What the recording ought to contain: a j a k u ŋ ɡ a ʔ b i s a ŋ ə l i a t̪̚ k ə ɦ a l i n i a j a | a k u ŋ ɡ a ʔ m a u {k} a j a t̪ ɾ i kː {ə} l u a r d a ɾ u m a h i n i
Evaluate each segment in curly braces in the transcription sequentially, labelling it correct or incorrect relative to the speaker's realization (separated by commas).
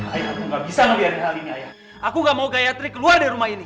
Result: incorrect, correct